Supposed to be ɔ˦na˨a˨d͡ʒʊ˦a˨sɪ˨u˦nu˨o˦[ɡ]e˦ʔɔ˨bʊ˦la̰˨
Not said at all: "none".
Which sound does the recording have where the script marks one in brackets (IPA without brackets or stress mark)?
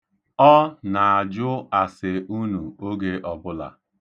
ɡ